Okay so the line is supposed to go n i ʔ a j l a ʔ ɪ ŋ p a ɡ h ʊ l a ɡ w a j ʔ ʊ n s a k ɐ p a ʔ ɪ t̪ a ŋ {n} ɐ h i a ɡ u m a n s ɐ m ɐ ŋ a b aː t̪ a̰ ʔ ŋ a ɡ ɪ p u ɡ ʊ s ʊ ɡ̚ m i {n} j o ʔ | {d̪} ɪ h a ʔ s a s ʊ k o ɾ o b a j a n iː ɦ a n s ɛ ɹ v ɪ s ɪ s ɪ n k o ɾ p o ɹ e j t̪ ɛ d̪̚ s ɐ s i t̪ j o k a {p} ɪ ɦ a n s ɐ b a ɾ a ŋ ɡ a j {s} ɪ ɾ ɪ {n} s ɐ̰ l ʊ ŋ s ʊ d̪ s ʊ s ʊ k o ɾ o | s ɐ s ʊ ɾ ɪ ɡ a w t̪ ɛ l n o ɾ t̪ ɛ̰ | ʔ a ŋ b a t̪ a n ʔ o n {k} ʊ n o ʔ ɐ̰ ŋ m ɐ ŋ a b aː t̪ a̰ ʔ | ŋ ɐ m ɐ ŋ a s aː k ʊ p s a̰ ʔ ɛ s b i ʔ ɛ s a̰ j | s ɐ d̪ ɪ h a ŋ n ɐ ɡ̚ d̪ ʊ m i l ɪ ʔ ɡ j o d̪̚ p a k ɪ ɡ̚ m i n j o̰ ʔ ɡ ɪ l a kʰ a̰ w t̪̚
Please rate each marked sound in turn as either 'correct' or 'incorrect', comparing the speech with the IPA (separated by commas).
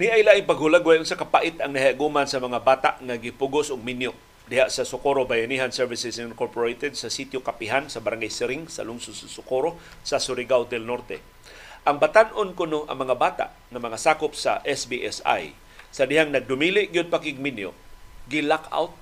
correct, correct, correct, correct, correct, incorrect, correct